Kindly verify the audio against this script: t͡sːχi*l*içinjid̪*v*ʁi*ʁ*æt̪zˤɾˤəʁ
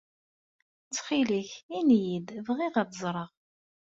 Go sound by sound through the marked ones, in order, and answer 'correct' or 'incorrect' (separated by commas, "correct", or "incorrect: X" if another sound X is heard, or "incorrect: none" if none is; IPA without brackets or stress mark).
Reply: correct, correct, correct